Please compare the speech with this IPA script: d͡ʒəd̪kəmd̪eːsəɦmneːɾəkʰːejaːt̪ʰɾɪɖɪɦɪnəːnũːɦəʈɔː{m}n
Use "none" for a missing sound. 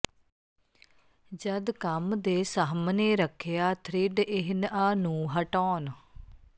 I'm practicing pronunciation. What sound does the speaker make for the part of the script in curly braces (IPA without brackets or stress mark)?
none